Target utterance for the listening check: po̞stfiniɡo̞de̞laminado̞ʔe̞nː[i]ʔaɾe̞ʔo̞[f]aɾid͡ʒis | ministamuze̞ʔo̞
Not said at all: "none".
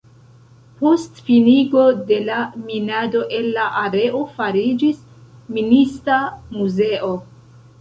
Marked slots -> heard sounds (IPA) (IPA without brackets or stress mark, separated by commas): a, f